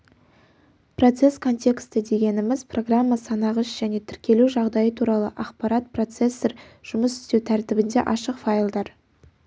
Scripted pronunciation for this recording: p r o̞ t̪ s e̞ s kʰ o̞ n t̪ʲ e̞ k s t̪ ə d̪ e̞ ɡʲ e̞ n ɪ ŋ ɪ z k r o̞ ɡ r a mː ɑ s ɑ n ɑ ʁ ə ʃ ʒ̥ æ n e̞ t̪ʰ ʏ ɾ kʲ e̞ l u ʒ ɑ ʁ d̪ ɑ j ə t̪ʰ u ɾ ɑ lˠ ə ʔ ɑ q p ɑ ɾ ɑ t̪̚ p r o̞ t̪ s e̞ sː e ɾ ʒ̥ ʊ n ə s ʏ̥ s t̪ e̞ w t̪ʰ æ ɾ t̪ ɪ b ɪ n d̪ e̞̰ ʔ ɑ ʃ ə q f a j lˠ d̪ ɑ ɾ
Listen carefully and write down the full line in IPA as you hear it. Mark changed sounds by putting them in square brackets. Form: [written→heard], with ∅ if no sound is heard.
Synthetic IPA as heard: p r o̞ t̪ s e̞ s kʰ o̞ n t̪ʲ e̞ k s t̪ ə d̪ e̞ ɡʲ e̞ n ɪ [ŋ→m] ɪ z [k→p] r o̞ ɡ r a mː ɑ s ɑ n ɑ ʁ ə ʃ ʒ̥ æ n e̞ t̪ʰ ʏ ɾ kʲ e̞ l u ʒ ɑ ʁ d̪ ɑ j ə t̪ʰ u ɾ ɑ lˠ ə ʔ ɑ q p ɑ ɾ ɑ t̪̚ p r o̞ t̪ s e̞ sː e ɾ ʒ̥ ʊ [n→m] ə s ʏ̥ s t̪ e̞ w t̪ʰ æ ɾ t̪ ɪ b ɪ n d̪ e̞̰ ʔ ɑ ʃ ə q f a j lˠ d̪ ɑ ɾ

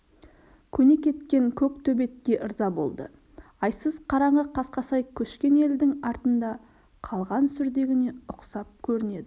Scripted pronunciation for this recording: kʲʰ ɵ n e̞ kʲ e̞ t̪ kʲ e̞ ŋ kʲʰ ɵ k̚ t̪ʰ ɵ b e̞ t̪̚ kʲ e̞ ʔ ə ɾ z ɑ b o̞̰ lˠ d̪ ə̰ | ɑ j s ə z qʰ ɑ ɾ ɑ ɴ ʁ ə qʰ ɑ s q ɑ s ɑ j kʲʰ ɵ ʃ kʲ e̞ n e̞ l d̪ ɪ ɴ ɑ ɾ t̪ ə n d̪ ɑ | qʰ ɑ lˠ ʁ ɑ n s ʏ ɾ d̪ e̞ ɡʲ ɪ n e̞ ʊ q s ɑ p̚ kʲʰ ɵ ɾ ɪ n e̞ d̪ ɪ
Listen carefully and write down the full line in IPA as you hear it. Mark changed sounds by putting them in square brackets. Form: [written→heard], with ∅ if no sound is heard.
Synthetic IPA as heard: kʲʰ ɵ n e̞ kʲ e̞ t̪ kʲ e̞ ŋ kʲʰ ɵ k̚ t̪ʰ ɵ b e̞ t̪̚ kʲ e̞ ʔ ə ɾ z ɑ b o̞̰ lˠ d̪ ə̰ | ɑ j s ə z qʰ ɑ ɾ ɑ ɴ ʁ ə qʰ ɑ s q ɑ s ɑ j kʲʰ ɵ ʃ kʲ e̞ n e̞ l d̪ ɪ [ɴ→ŋ] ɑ ɾ t̪ ə n d̪ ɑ | qʰ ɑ lˠ ʁ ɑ n s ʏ ɾ d̪ e̞ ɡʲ ɪ n e̞ ʊ q s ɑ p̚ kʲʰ ɵ ɾ ɪ n e̞ d̪ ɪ

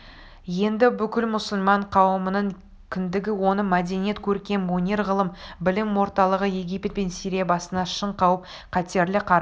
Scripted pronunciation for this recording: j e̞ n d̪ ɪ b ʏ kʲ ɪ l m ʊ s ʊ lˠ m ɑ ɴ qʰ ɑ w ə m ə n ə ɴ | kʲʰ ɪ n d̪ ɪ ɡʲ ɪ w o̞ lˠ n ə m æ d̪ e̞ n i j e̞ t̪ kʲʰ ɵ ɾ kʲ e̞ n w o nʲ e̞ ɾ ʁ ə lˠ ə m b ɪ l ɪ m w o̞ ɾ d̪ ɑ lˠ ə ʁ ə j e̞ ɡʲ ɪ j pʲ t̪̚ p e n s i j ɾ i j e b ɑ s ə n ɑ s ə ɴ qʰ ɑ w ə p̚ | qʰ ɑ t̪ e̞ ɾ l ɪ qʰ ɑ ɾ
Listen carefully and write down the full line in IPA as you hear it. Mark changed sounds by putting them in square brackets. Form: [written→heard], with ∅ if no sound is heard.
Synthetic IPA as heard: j e̞ n d̪ ɪ b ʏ kʲ ɪ l m ʊ s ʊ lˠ m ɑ ɴ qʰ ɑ w ə m ə n ə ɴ | kʲʰ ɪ n d̪ ɪ ɡʲ ɪ w o̞ [lˠ→∅] n ə m æ d̪ e̞ n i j e̞ t̪ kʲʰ ɵ ɾ kʲ e̞ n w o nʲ e̞ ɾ ʁ ə lˠ ə m b ɪ l ɪ m w o̞ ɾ [d̪→t̪] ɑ lˠ ə ʁ ə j e̞ ɡʲ [ɪ→i] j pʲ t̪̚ p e n s i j ɾ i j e b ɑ s ə n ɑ [s→ʃ] ə ɴ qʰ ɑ w ə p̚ | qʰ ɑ t̪ e̞ ɾ l ɪ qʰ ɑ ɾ

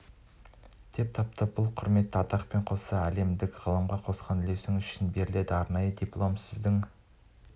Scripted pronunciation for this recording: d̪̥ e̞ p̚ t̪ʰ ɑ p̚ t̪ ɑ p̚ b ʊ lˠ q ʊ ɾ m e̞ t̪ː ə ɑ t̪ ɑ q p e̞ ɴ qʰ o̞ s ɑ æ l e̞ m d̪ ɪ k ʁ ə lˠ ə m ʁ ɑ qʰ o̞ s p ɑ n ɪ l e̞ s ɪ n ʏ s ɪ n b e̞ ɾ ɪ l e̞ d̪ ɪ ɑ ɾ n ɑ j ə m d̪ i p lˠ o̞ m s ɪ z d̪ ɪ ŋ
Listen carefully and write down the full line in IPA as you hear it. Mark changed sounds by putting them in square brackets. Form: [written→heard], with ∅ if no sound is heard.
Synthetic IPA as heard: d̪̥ e̞ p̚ t̪ʰ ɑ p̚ t̪ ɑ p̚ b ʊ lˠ [q→qʰ] ʊ ɾ m e̞ t̪ː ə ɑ t̪ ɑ q p e̞ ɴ qʰ o̞ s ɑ æ l e̞ m d̪ ɪ k ʁ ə lˠ ə m ʁ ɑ qʰ o̞ s [p→q] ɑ n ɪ l e̞ s ɪ [n→ŋ] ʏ [s→ʃ] ɪ n b e̞ ɾ ɪ l e̞ d̪ ɪ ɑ ɾ n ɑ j ə [m→∅] d̪ i p lˠ o̞ m s ɪ z d̪ ɪ ŋ

